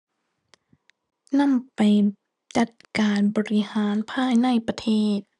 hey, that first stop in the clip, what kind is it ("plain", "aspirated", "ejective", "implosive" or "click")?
plain